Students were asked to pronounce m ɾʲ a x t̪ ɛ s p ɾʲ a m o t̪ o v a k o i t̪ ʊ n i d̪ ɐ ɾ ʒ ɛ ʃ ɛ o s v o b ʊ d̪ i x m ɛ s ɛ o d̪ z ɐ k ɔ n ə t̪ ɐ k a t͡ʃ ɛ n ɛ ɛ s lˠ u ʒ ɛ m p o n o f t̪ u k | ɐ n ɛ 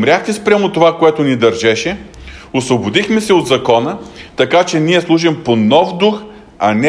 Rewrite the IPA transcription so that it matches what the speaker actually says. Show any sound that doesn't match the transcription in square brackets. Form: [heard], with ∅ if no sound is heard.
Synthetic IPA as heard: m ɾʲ a x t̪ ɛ s p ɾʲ a m o t̪ o v a k o [ɛ] t̪ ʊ n i d̪ ɐ ɾ ʒ ɛ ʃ ɛ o s v o b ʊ d̪ i x m ɛ s ɛ o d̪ z ɐ k ɔ n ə t̪ ɐ k a t͡ʃ ɛ n [i] ɛ s lˠ u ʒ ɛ m p o n [ɔ] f [d̪] u [x] | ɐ n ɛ